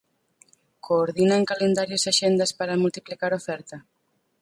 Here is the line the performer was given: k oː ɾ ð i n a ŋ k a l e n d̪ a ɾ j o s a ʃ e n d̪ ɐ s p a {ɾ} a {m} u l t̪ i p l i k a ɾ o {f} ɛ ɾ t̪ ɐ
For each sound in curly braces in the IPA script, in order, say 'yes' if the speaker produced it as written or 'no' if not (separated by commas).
yes, yes, yes